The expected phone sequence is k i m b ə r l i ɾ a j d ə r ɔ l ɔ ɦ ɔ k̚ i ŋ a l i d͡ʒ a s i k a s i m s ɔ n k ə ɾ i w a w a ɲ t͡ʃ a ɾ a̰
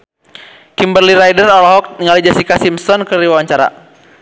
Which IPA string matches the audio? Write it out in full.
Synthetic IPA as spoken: k i m b ə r l i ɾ a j d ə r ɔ l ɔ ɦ ɔ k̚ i ŋ a l i d͡ʒ a s i k a s i m s ɔ n k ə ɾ i w a w a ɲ t͡ʃ a ɾ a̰

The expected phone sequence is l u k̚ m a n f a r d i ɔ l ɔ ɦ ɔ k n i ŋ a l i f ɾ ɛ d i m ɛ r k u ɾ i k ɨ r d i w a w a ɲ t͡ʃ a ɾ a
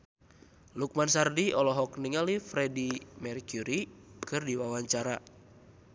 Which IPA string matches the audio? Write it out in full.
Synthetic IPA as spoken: l u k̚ m a n s a r d i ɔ l ɔ ɦ ɔ k n i ŋ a l i f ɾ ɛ d i m ɛ r k u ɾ i k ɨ r d i w a w a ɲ t͡ʃ a ɾ a

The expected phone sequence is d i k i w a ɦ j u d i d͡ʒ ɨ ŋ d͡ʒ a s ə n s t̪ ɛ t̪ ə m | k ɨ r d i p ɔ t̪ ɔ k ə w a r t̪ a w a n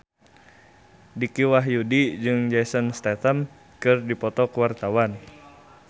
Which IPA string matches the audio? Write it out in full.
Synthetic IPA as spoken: d i k i w a ɦ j u d i d͡ʒ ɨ ŋ d͡ʒ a s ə n s t̪ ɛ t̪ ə m | k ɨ r d i p ɔ t̪ ɔ k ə w a r t̪ a w a n

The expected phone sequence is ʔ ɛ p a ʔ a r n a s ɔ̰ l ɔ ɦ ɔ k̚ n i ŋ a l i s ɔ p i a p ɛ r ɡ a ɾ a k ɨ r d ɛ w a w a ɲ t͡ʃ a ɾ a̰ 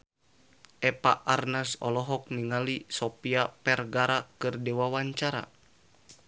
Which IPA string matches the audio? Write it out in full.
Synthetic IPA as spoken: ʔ ɛ p a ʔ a r n a s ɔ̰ l ɔ ɦ ɔ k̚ n i ŋ a l i s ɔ p i a p ɛ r ɡ a ɾ a k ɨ r d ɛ w a w a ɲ t͡ʃ a ɾ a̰

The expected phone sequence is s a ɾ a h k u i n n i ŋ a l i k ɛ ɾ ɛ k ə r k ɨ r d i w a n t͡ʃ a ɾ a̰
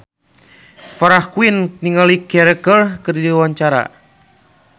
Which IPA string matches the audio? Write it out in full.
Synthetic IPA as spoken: f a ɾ a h k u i n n i ŋ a l i k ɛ ɾ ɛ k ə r k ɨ r d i w a ɲ t͡ʃ a ɾ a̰

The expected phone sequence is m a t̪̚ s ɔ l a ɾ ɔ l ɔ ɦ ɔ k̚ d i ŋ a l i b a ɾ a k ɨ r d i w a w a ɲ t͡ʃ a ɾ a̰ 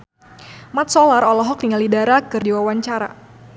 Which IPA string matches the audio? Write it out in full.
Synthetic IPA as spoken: m a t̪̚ s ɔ l a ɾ ɔ l ɔ ɦ ɔ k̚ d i ŋ a l i d a ɾ a k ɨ r d i w a w a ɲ t͡ʃ a ɾ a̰

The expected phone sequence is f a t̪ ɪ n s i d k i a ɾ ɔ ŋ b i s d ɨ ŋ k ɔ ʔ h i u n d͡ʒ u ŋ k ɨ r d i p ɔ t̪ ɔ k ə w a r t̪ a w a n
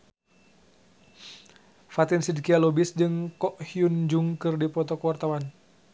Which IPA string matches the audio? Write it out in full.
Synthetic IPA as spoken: f a t̪ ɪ n s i d k i a l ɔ b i s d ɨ ŋ k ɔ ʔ h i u n d͡ʒ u ŋ k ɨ r d i p ɔ t̪ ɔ k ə w a r t̪ a w a n

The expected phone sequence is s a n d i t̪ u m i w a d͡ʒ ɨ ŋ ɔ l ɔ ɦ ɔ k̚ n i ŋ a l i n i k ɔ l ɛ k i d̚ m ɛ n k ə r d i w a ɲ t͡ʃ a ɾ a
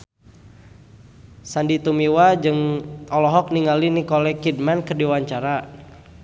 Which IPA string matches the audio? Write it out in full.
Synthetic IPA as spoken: s a n d i t̪ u m i w a d͡ʒ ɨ ŋ ɔ l ɔ ɦ ɔ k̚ n i ŋ a l i n i k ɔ l ɛ k i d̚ m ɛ n k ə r d i w a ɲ t͡ʃ a ɾ a

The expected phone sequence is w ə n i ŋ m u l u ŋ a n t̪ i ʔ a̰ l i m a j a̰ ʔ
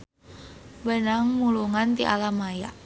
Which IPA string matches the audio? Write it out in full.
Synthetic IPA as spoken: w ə n a ŋ m u l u ŋ a n t̪ i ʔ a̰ l a m a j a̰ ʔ

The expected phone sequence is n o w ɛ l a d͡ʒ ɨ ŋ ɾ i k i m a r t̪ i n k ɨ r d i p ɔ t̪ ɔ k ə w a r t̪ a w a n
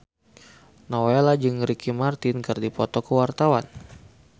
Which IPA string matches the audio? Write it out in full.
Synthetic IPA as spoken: n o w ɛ l a d͡ʒ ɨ ŋ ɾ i k i m a r t̪ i n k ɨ r d i p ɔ t̪ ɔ k ə w a r t̪ a w a n

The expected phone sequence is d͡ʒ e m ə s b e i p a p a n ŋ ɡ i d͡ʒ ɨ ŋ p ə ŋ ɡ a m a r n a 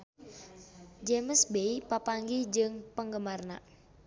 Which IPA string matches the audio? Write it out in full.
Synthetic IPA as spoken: d͡ʒ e m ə s b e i p a p a ŋ ɡ i d͡ʒ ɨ ŋ p ə ŋ ɡ ə m a r n a

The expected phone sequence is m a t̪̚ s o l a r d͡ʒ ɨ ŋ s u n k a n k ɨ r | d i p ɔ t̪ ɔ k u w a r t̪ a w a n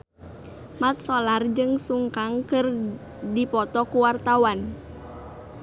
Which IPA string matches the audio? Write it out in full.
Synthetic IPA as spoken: m a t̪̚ s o l a r d͡ʒ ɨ ŋ s u ŋ k a ŋ k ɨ r | d i p ɔ t̪ ɔ k u w a r t̪ a w a n

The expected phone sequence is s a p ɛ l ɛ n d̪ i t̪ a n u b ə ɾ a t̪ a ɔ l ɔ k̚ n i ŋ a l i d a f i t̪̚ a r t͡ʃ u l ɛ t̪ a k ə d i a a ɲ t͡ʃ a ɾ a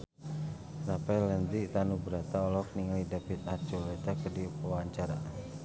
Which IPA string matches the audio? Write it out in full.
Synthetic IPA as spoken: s a p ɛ l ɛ n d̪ i t̪ a n u b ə ɾ a t̪ a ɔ l ɔ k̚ n i ŋ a l i d a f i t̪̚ a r t͡ʃ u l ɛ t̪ a k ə d i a a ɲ t͡ʃ a ɾ a

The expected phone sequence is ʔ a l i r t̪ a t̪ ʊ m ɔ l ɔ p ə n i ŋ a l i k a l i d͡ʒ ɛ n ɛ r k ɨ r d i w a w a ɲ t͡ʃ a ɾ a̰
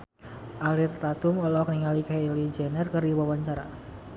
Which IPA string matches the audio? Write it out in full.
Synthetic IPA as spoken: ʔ a l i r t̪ a t̪ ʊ m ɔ l ɔ k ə n i ŋ a l i k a l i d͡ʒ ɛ n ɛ r k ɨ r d i w a w a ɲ t͡ʃ a ɾ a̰

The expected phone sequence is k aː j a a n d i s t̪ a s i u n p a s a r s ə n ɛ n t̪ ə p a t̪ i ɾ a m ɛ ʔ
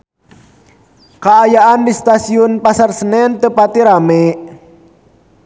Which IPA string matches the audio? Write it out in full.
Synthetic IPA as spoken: k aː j a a n d i s t̪ a s i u n p a s a r s ə n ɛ n t̪ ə p a t̪ i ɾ a m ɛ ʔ

